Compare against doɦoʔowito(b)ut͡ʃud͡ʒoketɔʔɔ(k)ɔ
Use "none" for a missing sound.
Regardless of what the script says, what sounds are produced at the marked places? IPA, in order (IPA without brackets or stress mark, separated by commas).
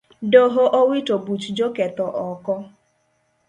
b, k